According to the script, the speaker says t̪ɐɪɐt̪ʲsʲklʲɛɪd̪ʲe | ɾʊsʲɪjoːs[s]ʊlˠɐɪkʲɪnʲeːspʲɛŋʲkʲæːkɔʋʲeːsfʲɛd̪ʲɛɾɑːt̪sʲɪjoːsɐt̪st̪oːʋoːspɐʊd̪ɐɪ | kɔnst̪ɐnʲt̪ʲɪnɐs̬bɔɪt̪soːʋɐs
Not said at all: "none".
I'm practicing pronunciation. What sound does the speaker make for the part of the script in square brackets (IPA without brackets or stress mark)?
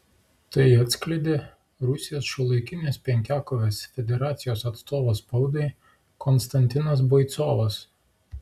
ʃ